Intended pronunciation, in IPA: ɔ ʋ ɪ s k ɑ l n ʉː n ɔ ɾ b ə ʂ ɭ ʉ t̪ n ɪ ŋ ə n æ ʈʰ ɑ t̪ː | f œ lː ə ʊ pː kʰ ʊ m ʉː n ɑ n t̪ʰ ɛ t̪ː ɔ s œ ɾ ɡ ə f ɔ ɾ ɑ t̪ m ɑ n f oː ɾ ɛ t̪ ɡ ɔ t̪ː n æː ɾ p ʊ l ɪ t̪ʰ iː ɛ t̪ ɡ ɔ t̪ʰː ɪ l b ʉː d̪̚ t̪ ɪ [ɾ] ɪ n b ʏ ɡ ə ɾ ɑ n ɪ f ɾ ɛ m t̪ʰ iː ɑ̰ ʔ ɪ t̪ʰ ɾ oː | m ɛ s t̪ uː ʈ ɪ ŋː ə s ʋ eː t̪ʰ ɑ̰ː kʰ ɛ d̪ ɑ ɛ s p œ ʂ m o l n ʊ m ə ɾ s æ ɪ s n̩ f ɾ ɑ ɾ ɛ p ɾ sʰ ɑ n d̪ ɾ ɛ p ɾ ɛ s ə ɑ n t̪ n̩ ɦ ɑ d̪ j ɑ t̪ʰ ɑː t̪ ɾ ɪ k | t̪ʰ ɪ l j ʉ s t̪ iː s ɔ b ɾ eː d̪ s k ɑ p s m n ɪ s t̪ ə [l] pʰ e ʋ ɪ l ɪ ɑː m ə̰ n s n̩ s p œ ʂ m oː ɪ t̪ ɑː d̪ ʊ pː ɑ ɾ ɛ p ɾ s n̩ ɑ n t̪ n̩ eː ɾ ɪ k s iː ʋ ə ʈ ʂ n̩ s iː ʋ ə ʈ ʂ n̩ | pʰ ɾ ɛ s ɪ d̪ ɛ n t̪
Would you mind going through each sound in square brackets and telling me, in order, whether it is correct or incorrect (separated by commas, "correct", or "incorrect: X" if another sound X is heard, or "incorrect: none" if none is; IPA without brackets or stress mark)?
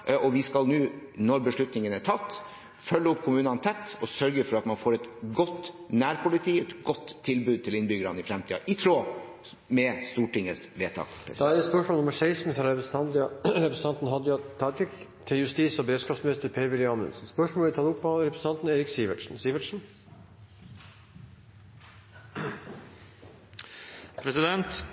incorrect: l, incorrect: ɾ